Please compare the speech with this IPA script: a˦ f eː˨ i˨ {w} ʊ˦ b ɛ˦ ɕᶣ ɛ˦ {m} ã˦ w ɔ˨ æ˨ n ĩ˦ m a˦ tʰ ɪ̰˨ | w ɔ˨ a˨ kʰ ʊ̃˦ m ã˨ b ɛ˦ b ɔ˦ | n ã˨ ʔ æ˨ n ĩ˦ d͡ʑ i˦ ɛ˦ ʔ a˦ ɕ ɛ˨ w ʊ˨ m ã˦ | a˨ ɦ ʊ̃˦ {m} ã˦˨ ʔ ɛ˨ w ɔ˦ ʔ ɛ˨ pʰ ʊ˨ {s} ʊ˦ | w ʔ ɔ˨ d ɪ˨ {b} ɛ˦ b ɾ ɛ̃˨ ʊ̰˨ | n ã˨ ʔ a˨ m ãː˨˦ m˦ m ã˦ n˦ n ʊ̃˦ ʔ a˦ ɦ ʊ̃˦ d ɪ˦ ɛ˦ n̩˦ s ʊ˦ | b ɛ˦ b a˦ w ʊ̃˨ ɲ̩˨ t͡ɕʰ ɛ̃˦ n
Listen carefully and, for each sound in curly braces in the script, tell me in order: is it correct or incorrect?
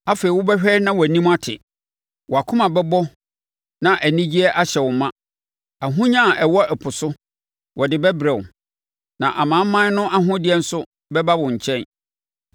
correct, incorrect: n, incorrect: ɲ, correct, correct

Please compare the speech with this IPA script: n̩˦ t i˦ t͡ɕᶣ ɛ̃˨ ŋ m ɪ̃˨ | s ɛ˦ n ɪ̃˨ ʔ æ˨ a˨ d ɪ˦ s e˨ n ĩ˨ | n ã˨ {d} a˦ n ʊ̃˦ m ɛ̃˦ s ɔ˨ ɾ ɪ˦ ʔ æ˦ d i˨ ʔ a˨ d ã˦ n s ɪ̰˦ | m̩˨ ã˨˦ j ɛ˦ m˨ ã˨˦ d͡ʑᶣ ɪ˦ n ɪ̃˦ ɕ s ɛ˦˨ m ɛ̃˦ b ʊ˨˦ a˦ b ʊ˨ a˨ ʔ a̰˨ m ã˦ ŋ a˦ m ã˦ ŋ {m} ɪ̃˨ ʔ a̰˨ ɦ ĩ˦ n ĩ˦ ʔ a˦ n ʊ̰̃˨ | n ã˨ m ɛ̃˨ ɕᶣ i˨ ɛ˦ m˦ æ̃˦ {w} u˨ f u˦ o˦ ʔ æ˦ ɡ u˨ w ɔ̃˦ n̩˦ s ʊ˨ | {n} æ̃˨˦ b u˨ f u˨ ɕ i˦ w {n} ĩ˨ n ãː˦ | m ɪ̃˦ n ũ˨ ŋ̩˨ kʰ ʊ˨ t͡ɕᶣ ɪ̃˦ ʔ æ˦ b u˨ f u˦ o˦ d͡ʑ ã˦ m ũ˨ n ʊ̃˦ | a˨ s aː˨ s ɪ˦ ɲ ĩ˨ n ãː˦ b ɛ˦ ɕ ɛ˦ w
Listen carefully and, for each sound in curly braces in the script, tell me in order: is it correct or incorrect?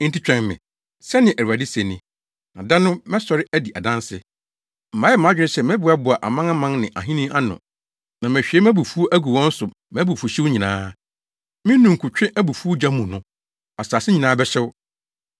correct, incorrect: n, incorrect: b, incorrect: m, incorrect: ɲ

